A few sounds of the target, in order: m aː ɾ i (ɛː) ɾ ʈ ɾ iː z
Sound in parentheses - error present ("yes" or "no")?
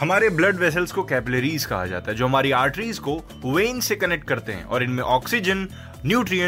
yes